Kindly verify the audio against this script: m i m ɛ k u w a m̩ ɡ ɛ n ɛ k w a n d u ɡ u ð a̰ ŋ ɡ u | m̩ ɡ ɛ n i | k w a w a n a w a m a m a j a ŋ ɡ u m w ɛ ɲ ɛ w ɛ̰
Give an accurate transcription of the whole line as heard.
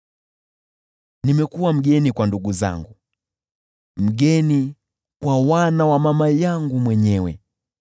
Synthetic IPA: n i m ɛ k u w a m̩ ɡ ɛ n i k w a n d u ɡ u z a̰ ŋ ɡ u | m̩ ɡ ɛ n i | k w a w a n a w a m a m a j a ŋ ɡ u m w ɛ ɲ ɛ w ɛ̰